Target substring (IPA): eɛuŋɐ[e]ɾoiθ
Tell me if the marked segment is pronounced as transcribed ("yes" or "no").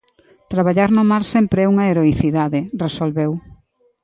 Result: yes